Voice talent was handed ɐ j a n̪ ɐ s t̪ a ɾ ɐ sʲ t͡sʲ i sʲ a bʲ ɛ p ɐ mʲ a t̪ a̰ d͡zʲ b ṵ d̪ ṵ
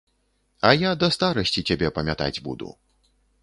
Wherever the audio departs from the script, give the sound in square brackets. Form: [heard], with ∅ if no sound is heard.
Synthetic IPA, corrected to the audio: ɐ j a [d̪] ɐ s t̪ a ɾ ɐ sʲ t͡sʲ i [t͡sʲ] a bʲ ɛ p ɐ mʲ a t̪ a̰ d͡zʲ b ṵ d̪ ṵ